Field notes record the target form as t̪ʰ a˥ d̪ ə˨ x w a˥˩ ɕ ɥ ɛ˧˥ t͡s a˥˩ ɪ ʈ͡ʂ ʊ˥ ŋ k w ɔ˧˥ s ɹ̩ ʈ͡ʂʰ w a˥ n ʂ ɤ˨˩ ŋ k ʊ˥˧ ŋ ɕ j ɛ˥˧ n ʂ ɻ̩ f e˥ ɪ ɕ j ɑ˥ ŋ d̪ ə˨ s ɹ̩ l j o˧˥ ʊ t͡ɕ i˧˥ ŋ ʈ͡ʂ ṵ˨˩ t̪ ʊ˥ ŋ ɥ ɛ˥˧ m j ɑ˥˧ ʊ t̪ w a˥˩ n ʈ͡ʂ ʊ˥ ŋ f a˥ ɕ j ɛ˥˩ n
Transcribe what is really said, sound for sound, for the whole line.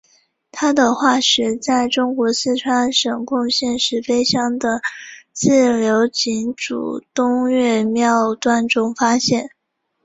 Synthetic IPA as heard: t̪ʰ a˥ d̪ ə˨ x w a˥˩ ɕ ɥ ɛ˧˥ t͡s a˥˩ ɪ ʈ͡ʂ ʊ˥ ŋ k w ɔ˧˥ s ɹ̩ ʈ͡ʂʰ w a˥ n ʂ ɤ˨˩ ŋ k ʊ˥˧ ŋ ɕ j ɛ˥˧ n ʂ ɻ̩ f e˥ ɪ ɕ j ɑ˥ ŋ d̪ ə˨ t͡s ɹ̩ l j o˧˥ ʊ t͡ɕ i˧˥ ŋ ʈ͡ʂ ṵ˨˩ t̪ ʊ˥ ŋ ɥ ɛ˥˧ m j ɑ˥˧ ʊ t̪ w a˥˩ n ʈ͡ʂ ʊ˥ ŋ f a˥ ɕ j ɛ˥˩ n